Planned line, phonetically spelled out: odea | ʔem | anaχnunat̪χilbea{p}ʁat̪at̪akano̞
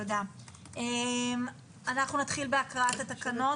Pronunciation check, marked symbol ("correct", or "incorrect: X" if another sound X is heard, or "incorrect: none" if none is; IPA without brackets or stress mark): incorrect: k